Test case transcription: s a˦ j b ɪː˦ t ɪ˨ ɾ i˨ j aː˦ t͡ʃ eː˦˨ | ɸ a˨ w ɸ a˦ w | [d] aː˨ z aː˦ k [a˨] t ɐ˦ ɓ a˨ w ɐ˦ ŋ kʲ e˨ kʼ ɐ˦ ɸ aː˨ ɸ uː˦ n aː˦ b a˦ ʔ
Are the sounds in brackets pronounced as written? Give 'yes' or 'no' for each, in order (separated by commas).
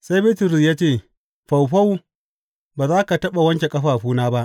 no, yes